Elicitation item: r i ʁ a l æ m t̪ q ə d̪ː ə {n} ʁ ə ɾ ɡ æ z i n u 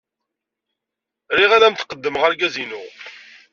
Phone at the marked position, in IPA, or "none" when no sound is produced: m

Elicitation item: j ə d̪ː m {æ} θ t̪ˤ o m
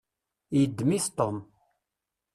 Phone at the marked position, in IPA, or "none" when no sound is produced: i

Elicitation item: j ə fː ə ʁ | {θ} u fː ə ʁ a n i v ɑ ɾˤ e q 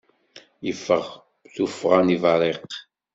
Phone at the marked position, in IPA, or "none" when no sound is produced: θ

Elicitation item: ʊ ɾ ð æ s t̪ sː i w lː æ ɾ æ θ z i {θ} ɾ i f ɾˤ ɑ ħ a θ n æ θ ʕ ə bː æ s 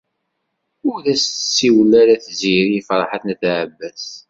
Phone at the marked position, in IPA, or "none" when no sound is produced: none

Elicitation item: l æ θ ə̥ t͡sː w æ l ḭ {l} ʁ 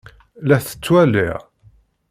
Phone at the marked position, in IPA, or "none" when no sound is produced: none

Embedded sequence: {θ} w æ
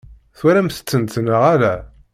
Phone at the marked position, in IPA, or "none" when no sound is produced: θ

